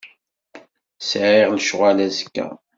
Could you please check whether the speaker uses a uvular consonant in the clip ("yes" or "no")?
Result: yes